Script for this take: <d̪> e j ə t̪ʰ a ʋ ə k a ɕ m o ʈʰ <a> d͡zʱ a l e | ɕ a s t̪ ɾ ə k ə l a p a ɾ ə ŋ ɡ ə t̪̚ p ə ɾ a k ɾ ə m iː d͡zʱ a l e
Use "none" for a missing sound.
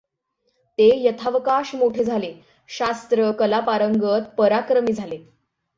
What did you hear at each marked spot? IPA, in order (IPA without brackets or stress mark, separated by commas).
t̪, e